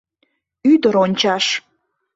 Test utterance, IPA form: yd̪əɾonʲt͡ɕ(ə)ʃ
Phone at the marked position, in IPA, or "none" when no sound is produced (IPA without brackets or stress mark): ɑ